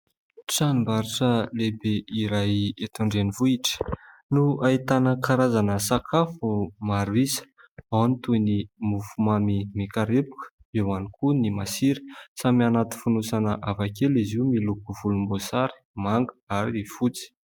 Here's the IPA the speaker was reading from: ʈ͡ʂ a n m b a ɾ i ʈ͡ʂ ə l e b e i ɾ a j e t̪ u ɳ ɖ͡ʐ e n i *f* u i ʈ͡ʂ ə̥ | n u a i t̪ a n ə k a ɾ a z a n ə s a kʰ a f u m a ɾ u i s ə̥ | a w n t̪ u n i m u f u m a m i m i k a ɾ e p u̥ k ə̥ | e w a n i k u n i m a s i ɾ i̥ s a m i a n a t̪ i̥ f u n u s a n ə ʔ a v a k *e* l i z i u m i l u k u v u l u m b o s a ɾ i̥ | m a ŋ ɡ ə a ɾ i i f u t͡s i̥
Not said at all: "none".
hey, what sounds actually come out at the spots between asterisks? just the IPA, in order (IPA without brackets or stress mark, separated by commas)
v, e